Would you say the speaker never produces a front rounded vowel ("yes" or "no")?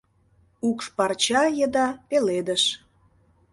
yes